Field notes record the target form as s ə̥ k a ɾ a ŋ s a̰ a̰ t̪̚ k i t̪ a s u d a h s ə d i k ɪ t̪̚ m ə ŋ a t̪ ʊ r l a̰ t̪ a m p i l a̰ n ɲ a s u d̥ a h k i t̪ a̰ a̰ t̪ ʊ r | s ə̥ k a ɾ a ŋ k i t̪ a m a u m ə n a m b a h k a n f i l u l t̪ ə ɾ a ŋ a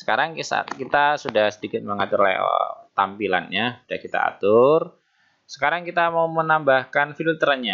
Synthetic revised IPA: s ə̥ k a ɾ a ŋ s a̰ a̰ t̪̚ k i t̪ a s u d a h s ə d i k ɪ t̪̚ m ə ŋ a t̪ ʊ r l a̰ t̪ a m p i l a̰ n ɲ a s u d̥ a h k i t̪ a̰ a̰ t̪ ʊ r | s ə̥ k a ɾ a ŋ k i t̪ a m a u m ə n a m b a h k a n f i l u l t̪ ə ɾ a ɲ a